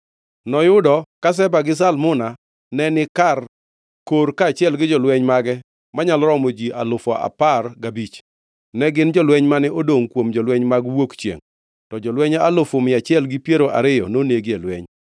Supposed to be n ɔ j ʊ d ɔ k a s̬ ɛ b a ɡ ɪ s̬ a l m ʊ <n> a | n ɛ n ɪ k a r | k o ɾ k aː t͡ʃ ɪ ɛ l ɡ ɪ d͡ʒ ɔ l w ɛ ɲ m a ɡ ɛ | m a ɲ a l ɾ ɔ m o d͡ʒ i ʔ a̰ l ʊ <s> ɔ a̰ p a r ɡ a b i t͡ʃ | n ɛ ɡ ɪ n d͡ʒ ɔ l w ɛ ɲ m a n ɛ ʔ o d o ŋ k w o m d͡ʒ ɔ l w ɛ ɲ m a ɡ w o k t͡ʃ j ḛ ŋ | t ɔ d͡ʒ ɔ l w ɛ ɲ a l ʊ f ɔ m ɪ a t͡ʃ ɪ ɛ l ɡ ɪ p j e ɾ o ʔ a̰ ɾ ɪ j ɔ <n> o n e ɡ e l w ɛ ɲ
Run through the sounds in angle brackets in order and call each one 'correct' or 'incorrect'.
correct, incorrect: f, correct

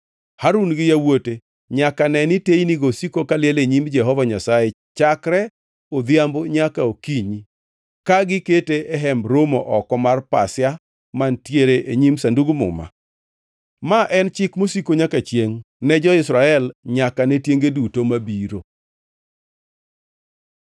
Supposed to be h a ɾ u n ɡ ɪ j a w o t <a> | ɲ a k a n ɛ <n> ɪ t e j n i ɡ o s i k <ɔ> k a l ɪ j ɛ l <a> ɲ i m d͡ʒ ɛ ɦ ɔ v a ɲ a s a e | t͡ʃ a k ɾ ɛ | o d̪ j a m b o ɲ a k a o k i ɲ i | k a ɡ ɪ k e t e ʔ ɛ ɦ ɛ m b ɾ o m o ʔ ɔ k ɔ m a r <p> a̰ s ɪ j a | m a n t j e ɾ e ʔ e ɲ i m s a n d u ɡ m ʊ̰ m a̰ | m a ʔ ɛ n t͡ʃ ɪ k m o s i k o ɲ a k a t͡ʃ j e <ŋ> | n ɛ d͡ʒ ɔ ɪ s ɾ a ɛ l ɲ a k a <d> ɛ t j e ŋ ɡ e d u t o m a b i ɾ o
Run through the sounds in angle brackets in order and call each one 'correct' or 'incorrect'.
incorrect: e, correct, incorrect: o, incorrect: e, correct, correct, incorrect: n

